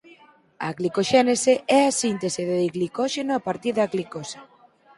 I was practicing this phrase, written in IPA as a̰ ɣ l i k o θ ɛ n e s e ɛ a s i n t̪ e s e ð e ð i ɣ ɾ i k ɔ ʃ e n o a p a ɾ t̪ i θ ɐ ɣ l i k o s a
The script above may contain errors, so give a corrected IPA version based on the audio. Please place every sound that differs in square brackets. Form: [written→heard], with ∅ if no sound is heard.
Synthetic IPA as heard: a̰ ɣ l i k o [θ→ʃ] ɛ n e s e ɛ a s i n t̪ e s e ð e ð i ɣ [ɾ→l] i k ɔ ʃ e n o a p a ɾ t̪ i [θ→ð] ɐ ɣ l i k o s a